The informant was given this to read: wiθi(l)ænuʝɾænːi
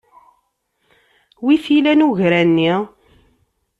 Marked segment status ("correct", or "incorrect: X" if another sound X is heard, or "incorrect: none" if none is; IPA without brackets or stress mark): correct